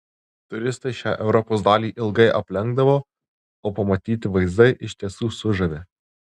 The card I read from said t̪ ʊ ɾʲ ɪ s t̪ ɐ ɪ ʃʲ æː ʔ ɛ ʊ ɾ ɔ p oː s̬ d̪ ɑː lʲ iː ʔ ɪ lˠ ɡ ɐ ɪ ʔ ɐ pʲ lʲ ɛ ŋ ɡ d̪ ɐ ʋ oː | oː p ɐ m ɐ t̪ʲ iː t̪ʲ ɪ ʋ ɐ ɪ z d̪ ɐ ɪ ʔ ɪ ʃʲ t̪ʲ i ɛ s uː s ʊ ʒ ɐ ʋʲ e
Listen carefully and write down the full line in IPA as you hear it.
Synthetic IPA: t̪ ʊ ɾʲ ɪ s t̪ ɐ ɪ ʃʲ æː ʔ ɛ ʊ ɾ ɔ p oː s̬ d̪ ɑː lʲ iː ʔ ɪ lˠ ɡ ɐ ɪ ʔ ɐ pʲ lʲ ɛ ŋ ɡ d̪ ɐ ʋ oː | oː p ɐ m ɐ t̪ʲ iː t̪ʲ ɪ ʋ ɐ ɪ z d̪ ɐ ɪ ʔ ɪ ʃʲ t̪ʲ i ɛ s uː s ʊ ʒ ɐ ʋʲ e